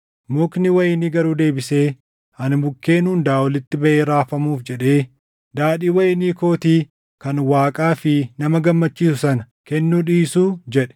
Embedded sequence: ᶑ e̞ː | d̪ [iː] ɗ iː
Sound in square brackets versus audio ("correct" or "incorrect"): incorrect